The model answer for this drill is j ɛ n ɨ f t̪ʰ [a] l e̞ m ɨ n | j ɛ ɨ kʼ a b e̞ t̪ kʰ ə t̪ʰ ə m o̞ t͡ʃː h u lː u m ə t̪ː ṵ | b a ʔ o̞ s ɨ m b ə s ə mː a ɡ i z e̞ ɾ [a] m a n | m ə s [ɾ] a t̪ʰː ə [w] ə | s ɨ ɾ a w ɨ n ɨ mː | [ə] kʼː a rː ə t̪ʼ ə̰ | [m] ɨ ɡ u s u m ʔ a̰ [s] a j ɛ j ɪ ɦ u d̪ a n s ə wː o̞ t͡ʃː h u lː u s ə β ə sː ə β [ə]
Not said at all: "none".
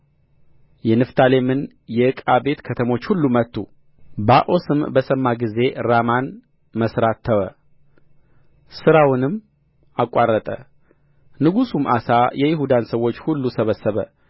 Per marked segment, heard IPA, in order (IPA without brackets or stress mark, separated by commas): a, a, ɾ, w, a, n, s, ə